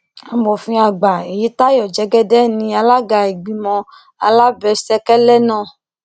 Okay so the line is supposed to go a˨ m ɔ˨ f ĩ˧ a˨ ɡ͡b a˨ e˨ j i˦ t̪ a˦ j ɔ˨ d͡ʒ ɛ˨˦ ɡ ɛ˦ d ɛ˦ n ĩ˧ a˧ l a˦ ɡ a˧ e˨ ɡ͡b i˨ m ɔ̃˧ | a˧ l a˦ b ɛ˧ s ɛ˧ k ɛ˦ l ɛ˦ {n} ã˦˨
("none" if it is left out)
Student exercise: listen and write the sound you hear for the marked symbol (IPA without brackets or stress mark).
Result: n